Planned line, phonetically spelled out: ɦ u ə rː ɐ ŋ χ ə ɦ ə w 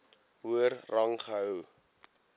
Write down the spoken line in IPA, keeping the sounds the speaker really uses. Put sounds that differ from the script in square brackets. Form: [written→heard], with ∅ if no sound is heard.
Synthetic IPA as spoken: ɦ u ə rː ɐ ŋ χ ə ɦ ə w